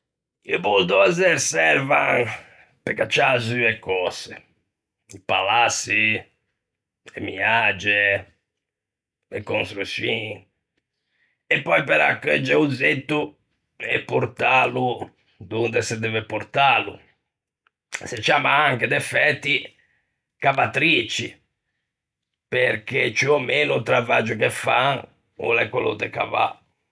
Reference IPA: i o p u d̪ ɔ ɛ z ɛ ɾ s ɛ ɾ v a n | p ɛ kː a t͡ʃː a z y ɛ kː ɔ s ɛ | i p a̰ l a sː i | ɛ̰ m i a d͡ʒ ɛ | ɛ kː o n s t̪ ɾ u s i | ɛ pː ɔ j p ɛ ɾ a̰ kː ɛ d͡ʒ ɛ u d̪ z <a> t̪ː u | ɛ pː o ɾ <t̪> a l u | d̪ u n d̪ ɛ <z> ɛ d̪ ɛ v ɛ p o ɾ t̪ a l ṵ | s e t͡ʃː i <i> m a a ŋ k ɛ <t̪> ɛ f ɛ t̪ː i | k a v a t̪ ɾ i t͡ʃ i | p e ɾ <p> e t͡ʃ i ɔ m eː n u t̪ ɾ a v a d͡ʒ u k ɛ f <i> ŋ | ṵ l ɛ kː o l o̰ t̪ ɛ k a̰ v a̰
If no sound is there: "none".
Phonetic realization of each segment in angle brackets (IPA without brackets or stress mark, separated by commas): e, t̪, s, a, d̪, k, a